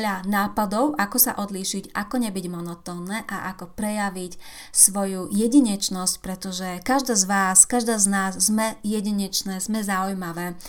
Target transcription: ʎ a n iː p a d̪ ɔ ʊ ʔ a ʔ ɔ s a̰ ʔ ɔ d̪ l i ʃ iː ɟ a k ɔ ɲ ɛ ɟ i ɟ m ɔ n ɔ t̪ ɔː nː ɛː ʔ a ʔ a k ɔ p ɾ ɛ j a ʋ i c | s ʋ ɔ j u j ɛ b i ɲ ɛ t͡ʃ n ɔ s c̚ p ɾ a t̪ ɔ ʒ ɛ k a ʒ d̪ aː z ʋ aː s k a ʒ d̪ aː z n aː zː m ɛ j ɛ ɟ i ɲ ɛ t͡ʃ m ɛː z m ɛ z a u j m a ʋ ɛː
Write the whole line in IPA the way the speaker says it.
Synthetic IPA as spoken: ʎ a n aː p a d̪ ɔ ʊ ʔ a k ɔ s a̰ ʔ ɔ d̪ l i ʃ i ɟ a k ɔ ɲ ɛ b i ɟ m ɔ n ɔ t̪ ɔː nː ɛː ʔ a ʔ a k ɔ p ɾ ɛ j a ʋ i c | s ʋ ɔ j u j ɛ ɟ i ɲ ɛ t͡ʃ n ɔ s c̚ p ɾ ɛ t̪ ɔ ʒ ɛ k a ʒ d̪ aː z ʋ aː s k a ʒ d̪ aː z n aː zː m ɛ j ɛ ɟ i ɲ ɛ t͡ʃ n ɛː z m ɛ z a u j m a ʋ ɛː